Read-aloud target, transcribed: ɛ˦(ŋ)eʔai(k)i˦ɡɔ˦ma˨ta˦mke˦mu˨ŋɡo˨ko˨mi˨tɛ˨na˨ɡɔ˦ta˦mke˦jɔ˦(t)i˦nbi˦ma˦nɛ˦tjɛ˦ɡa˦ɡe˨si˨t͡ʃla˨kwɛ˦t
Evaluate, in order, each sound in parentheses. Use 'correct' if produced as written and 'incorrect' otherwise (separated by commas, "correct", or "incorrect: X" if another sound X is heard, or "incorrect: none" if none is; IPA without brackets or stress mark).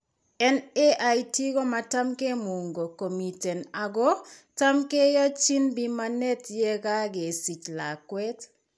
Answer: incorrect: n, incorrect: t, incorrect: t͡ʃ